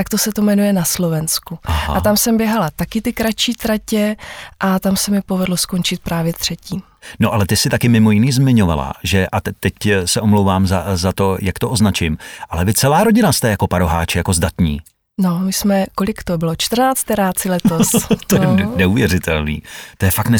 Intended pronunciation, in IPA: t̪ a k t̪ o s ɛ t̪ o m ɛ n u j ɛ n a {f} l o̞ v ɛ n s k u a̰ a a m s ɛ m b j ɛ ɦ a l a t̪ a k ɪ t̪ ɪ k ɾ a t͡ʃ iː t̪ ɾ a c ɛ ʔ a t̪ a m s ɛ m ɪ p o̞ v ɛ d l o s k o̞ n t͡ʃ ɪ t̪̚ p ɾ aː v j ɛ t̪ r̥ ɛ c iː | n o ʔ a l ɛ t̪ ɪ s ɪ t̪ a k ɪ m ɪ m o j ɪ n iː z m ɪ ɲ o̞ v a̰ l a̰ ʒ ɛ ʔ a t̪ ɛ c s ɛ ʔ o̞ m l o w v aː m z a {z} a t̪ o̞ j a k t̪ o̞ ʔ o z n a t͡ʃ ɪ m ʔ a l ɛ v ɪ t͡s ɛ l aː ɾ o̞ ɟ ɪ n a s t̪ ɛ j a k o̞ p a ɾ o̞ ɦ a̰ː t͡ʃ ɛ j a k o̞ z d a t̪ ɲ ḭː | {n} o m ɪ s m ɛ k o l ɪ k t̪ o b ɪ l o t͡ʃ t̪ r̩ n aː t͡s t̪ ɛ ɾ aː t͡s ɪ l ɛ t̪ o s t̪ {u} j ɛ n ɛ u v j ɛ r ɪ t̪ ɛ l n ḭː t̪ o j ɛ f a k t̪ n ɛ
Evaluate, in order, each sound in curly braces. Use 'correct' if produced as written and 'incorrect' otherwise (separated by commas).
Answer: incorrect, correct, correct, incorrect